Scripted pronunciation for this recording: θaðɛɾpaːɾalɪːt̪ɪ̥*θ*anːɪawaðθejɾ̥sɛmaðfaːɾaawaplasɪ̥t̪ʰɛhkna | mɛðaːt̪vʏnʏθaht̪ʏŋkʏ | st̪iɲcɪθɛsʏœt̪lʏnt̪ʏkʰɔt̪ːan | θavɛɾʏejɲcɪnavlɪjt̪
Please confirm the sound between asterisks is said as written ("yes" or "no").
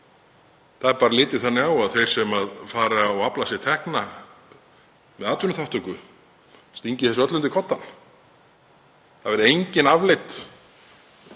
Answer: yes